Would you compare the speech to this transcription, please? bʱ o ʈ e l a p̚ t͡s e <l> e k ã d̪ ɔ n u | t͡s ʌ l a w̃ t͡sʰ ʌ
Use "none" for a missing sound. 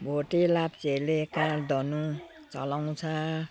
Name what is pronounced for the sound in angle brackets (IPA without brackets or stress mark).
l